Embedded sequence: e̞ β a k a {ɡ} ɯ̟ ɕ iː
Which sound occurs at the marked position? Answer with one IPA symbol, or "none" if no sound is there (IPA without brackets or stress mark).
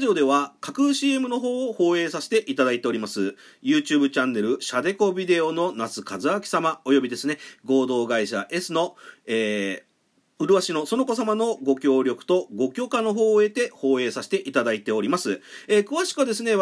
k